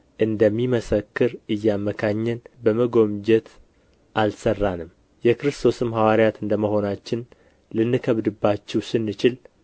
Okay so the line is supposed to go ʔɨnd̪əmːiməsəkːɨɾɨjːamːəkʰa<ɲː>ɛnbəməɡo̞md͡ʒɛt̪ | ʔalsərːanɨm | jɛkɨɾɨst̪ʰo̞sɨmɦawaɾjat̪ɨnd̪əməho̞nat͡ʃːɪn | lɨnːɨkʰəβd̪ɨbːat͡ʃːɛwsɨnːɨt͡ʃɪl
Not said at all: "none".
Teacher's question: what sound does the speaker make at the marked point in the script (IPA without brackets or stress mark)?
ɲː